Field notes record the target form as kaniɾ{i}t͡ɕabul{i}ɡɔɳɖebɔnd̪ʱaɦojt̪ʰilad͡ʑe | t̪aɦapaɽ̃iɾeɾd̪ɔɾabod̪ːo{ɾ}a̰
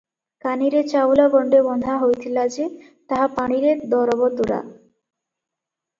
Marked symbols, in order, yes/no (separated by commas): no, no, yes